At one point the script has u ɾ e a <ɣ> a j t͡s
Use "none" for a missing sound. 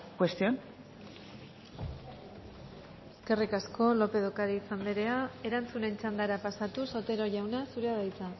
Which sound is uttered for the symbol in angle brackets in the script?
ð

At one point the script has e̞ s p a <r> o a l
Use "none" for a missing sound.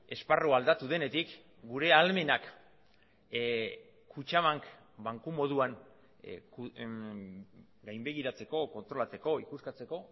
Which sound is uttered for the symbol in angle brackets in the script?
r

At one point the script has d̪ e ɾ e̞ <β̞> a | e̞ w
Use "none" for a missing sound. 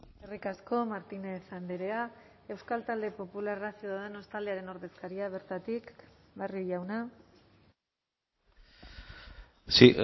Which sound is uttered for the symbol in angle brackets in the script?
none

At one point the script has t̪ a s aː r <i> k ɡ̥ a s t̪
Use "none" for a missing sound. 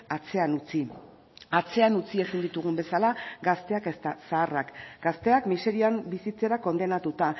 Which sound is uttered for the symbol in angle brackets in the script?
a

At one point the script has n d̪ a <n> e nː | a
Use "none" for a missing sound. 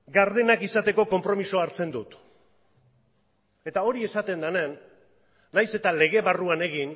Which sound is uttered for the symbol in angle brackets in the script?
n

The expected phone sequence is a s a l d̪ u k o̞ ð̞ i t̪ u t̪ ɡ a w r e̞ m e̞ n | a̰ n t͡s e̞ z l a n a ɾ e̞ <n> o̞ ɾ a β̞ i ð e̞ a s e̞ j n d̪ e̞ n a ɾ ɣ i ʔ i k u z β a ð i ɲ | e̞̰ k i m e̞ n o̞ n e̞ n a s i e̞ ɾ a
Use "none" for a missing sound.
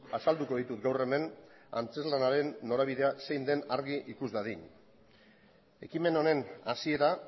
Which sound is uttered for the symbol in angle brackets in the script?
nː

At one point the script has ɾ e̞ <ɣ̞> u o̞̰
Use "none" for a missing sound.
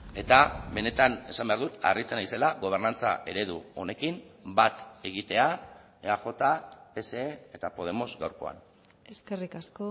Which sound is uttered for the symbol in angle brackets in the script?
ð̞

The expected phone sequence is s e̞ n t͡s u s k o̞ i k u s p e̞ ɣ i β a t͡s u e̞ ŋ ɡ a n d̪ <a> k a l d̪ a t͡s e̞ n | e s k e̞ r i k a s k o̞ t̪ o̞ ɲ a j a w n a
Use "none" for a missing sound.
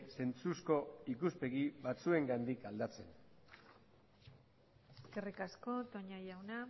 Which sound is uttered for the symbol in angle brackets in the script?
i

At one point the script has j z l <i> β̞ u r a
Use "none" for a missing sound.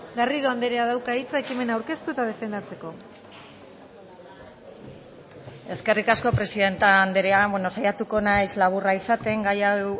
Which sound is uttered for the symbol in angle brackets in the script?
a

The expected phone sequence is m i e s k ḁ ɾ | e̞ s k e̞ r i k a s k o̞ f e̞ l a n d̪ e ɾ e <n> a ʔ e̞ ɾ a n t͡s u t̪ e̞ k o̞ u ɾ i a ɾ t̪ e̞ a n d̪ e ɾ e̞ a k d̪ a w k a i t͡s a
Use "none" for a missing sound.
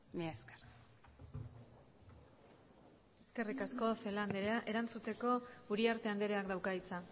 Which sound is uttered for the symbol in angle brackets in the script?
none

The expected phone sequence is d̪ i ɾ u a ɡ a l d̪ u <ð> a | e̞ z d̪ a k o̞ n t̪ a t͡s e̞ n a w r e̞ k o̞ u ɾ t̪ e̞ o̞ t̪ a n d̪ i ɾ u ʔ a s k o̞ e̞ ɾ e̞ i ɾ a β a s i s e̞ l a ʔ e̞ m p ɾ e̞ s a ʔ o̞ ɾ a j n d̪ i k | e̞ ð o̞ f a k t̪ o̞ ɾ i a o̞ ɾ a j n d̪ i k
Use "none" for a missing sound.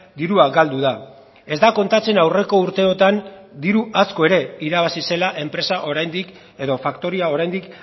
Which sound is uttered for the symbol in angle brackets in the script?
ð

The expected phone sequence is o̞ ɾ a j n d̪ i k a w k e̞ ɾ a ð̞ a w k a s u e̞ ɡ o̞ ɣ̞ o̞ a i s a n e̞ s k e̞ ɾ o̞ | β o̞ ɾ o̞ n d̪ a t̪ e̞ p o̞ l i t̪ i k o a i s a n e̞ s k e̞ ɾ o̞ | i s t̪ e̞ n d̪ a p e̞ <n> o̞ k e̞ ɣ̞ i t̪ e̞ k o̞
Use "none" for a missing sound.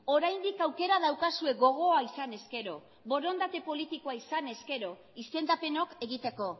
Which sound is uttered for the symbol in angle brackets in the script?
n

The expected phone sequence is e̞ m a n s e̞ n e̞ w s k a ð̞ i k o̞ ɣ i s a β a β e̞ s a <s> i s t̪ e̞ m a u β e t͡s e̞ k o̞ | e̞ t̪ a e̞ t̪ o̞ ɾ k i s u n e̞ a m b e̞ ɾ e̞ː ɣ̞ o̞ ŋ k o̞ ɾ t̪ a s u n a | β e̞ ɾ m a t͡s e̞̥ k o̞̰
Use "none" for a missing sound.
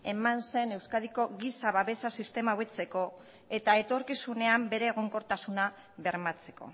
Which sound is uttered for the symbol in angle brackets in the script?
s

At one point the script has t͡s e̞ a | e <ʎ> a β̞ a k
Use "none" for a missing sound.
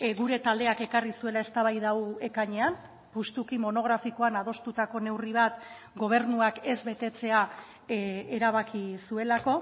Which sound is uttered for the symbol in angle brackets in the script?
ɾ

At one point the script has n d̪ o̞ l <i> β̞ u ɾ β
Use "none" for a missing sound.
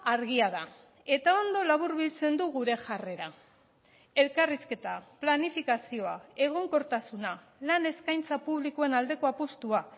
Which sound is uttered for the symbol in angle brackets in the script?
a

